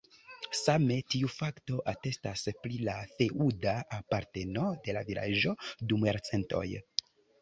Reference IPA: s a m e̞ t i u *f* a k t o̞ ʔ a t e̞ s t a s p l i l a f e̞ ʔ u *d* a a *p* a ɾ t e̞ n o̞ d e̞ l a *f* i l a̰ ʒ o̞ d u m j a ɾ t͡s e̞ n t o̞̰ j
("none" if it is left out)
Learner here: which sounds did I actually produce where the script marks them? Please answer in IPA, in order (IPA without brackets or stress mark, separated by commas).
f, d, p, v